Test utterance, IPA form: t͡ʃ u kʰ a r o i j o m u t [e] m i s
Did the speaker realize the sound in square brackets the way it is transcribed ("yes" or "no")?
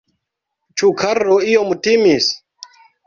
no